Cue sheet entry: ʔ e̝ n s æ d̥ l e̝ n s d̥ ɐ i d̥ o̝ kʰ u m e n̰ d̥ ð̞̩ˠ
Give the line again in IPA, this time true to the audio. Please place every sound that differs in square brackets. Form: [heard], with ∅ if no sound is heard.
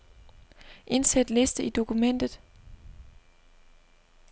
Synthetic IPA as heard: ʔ e̝ n s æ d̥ l e̝ [∅] s d̥ [ə] i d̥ o̝ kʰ u m e n̰ d̥ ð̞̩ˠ